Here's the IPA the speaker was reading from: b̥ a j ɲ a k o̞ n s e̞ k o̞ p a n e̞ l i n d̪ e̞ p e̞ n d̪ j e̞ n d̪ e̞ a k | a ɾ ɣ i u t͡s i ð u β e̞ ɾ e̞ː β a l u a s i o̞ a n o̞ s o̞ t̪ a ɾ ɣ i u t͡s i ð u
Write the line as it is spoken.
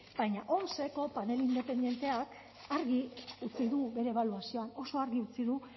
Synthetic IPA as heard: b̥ a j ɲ a ʔ o̞ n s e̞ k o̞ p a n e̞ l i n d̪ e̞ p e̞ n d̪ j e̞ n t̪ e̞ a k | a ɾ ɣ i u t͡s i ð u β e̞ ɾ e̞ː β a l u a s i o̞ a n o̞ s o̞ a ɾ ɣ i u t͡s i ð u